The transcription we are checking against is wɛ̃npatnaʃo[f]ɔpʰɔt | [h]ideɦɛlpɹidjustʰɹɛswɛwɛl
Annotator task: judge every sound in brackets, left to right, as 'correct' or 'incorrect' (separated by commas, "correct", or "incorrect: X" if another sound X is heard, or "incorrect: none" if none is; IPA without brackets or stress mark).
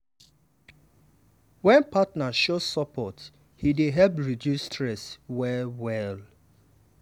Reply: incorrect: s, correct